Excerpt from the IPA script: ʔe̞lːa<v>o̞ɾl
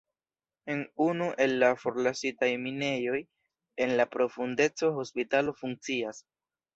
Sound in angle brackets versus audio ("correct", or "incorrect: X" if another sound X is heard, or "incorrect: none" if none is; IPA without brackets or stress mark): incorrect: f